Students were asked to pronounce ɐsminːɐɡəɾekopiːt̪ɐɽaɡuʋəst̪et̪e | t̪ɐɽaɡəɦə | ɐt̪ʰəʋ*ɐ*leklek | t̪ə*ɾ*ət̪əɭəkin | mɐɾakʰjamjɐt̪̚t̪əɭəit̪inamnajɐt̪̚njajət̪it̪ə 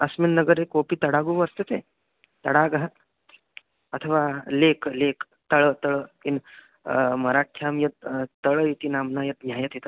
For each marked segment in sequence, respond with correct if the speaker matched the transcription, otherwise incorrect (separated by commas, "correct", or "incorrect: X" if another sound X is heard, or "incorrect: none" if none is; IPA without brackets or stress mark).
incorrect: a, incorrect: ɭ